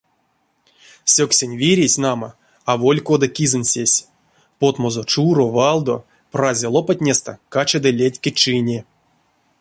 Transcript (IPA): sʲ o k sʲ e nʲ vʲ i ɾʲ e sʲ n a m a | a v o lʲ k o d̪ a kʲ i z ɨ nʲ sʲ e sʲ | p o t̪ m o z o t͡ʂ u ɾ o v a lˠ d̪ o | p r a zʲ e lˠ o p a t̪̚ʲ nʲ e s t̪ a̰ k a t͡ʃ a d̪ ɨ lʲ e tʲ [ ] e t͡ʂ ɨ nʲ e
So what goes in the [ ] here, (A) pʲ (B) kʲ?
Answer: B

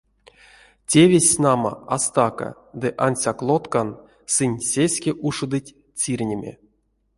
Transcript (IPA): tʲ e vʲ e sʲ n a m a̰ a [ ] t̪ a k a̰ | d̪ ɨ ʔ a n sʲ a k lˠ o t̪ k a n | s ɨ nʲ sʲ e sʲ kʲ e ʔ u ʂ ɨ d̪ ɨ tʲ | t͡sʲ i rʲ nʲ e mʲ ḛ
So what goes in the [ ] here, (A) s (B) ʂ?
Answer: A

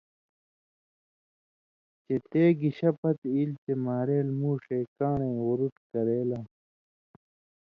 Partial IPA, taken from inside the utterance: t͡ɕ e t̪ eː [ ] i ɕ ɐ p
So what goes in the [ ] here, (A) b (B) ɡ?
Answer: B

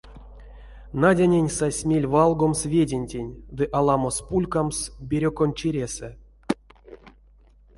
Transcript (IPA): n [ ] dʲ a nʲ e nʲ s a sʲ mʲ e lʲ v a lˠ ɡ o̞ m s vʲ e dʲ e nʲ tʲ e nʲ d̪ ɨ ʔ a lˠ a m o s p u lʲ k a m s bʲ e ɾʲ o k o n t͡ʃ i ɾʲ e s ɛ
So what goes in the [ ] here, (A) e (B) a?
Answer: B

